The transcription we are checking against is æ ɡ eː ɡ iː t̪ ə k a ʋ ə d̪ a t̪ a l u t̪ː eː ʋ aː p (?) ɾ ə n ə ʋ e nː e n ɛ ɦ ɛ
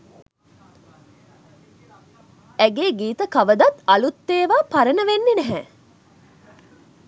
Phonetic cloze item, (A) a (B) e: A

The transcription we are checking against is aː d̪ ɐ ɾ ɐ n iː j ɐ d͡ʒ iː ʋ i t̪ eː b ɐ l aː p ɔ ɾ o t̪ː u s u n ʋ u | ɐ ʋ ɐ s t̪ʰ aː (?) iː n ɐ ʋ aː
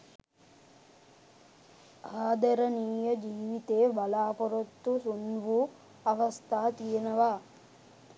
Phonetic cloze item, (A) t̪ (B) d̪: A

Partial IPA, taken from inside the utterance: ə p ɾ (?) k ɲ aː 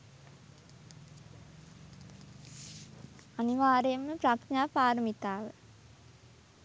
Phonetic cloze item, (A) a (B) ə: A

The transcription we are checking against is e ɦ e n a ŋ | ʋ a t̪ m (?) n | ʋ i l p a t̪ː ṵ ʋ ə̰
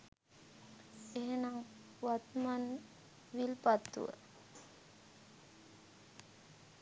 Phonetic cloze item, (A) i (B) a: B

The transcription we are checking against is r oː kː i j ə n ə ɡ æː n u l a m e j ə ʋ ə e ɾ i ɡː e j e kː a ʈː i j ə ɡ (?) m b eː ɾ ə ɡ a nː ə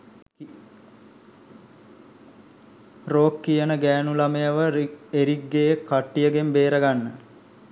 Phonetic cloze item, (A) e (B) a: A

